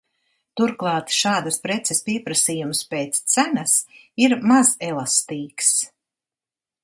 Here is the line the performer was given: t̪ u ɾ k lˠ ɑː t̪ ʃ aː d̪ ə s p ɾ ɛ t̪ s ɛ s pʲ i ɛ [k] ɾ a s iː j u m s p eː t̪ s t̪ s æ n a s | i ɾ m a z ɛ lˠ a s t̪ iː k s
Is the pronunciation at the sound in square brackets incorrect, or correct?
incorrect